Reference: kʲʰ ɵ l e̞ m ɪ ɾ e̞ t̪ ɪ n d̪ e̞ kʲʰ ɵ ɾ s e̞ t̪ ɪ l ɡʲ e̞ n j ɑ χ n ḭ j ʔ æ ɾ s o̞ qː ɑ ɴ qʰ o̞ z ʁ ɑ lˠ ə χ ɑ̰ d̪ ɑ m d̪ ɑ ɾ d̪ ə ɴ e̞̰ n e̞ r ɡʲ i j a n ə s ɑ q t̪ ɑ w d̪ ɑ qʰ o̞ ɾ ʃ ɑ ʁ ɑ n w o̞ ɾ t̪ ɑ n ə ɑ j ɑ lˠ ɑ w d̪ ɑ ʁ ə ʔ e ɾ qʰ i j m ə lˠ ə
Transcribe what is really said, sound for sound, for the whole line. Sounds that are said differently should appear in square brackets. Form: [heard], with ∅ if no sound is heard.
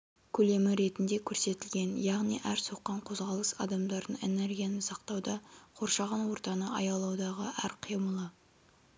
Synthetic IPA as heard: kʲʰ ɵ l e̞ m ɪ ɾ e̞ t̪ ɪ n d̪ e̞ kʲʰ ɵ ɾ s e̞ t̪ ɪ l ɡʲ e̞ n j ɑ [ʁ] n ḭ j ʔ æ ɾ s o̞ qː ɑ ɴ qʰ o̞ z ʁ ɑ lˠ ə [s] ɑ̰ d̪ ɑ m d̪ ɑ ɾ d̪ ə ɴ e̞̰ n e̞ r ɡʲ i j a n ə s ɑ q t̪ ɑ w d̪ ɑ qʰ o̞ ɾ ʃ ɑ ʁ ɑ n w o̞ ɾ t̪ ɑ n ə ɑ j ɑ lˠ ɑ w d̪ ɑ ʁ ə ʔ [æ] ɾ qʰ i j m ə lˠ ə